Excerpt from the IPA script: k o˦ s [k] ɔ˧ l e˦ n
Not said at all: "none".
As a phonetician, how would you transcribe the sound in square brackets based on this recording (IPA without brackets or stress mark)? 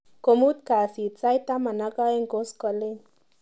k